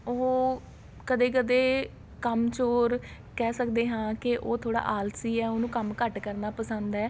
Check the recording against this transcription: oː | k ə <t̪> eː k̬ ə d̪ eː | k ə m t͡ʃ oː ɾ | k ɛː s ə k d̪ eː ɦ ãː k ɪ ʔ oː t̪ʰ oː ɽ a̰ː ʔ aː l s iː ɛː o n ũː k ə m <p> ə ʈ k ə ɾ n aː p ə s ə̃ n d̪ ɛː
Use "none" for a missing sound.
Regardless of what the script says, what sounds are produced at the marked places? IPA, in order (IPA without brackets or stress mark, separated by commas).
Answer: d̪, k